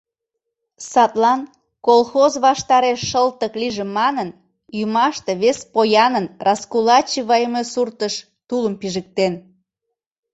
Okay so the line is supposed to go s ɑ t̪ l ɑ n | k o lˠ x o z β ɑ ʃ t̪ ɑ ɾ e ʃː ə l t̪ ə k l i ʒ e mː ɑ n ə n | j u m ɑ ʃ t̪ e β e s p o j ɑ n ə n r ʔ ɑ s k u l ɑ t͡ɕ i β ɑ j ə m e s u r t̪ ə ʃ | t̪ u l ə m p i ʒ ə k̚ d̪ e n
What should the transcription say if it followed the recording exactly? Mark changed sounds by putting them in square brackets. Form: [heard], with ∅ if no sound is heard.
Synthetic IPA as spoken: s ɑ t̪ l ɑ n | k o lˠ x o z β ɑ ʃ t̪ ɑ ɾ e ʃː ə l t̪ ə k l i ʒ e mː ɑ n ə n | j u m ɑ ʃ t̪ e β e s p o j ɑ n ə n r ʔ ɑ s k u l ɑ t͡ɕ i β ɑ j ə m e s u r t̪ ə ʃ | t̪ u l ə m p i ʒ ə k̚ [t̪] e n